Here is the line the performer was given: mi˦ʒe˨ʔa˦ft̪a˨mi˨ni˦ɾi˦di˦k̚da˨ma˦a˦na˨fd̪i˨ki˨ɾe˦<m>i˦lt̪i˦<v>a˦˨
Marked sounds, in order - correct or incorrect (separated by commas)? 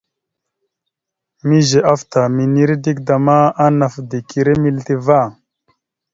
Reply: correct, correct